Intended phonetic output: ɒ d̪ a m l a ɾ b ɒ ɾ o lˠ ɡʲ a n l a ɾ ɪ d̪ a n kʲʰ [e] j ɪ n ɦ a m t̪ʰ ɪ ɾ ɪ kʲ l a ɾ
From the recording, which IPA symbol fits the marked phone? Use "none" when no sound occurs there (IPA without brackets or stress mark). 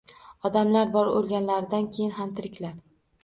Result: e